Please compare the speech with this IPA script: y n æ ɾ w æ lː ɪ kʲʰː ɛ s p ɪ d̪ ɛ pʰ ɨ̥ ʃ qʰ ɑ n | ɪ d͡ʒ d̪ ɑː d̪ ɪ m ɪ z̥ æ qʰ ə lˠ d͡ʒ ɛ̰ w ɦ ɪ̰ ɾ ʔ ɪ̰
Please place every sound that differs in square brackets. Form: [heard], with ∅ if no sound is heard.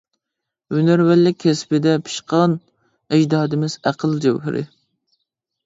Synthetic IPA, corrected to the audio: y n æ ɾ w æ lː ɪ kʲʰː ɛ s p ɪ d̪ ɛ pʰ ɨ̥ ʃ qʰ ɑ n | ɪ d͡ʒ d̪ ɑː d̪ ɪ m ɪ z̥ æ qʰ ə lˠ d͡ʒ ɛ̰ w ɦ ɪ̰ ɾ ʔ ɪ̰